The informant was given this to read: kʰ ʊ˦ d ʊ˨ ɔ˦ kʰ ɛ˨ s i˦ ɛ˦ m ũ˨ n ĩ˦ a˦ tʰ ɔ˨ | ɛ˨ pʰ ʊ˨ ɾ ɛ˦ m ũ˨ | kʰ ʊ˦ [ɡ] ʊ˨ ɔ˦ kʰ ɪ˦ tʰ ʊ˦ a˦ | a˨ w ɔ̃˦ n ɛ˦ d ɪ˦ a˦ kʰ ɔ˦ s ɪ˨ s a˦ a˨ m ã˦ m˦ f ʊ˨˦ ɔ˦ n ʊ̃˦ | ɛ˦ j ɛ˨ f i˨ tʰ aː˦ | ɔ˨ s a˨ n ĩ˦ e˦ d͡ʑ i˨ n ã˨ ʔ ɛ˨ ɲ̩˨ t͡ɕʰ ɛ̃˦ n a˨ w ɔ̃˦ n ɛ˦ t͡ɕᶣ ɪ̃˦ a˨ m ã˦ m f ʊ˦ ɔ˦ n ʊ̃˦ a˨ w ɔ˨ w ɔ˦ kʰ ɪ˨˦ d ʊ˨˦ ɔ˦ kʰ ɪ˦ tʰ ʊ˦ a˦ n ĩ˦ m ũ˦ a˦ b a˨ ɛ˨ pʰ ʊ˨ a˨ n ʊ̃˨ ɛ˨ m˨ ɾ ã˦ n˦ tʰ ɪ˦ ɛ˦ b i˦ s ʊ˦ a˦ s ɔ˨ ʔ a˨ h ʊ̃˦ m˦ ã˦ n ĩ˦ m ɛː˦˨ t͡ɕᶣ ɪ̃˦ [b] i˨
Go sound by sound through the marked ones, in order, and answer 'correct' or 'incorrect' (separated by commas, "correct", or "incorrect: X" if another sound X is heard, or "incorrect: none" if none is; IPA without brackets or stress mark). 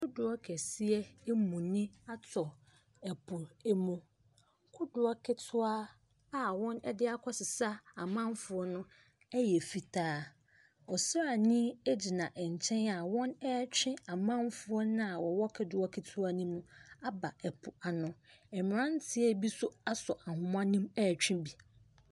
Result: incorrect: d, correct